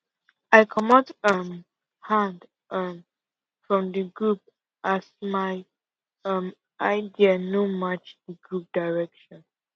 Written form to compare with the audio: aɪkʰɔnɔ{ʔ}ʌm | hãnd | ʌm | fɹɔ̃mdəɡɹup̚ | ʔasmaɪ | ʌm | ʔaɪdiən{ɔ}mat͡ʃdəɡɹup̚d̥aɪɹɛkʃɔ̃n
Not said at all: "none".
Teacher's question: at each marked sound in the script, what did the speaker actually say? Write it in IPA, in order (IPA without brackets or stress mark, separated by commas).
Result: t, o